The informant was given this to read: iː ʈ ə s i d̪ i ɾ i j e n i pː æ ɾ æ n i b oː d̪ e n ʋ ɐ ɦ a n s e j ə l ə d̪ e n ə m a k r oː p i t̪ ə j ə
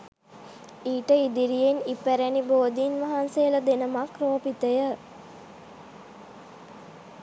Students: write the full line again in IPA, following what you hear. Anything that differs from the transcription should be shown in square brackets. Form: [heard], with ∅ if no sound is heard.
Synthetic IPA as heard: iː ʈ ə [∅] i d̪ i ɾ i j e n i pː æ ɾ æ n i b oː d̪ [i] n ʋ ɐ ɦ a n s e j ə l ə d̪ e n ə m a k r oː p i t̪ ə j ə